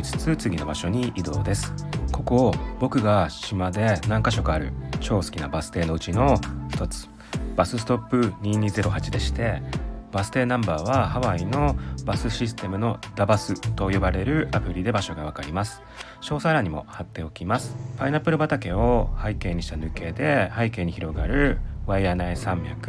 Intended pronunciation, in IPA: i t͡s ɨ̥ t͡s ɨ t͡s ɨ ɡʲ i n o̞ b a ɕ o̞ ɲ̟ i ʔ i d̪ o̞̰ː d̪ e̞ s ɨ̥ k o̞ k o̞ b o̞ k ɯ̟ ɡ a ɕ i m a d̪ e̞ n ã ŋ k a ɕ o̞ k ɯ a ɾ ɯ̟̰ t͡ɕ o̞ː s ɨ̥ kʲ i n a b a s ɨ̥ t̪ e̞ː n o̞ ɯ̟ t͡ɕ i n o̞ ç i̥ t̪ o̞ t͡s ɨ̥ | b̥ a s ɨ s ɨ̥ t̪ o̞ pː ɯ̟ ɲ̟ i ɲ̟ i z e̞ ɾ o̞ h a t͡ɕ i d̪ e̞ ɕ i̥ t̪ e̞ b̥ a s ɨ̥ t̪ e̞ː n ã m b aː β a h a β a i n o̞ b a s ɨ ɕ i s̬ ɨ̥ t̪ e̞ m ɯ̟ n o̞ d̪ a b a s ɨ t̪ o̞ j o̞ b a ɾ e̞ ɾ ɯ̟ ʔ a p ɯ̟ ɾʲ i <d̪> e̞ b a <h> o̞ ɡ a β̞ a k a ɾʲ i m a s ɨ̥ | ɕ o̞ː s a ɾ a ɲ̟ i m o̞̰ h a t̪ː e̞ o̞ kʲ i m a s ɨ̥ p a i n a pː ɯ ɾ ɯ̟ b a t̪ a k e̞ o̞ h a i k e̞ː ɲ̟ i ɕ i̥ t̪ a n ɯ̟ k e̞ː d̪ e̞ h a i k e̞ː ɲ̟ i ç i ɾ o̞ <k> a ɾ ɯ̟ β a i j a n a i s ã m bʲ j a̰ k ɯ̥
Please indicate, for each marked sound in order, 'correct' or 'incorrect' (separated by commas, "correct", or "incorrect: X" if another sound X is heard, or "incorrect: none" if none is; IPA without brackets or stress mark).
correct, incorrect: ɕ, incorrect: ɡ